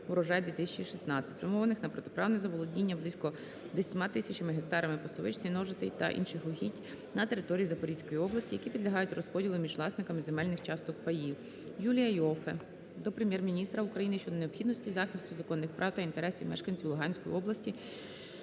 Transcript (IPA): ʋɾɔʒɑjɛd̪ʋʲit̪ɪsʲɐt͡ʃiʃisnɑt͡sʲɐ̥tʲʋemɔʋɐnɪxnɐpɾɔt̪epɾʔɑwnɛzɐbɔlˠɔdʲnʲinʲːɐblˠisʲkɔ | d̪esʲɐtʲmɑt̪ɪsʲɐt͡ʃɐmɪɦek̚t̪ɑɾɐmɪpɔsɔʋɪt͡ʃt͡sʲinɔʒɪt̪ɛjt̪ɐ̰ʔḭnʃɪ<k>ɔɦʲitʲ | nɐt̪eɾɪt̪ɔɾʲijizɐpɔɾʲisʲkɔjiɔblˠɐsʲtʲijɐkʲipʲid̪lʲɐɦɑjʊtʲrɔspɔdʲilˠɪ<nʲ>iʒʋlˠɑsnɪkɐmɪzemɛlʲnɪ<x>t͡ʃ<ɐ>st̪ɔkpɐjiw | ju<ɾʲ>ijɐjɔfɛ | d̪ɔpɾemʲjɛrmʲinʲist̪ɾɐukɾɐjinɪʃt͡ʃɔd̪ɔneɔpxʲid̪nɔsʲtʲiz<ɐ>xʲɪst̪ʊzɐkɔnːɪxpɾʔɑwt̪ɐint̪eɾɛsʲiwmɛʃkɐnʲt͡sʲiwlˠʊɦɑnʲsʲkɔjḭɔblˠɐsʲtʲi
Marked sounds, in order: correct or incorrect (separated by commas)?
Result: incorrect, incorrect, correct, incorrect, incorrect, incorrect